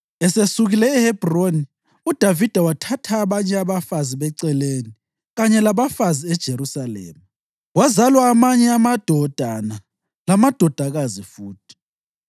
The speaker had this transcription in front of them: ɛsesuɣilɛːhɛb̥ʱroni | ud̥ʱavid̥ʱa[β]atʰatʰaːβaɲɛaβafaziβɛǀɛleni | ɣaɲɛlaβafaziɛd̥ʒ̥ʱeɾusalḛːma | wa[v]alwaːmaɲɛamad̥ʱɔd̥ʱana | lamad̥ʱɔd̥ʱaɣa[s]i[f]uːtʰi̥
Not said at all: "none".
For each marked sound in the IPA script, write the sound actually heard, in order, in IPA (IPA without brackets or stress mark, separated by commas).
w, z, z, f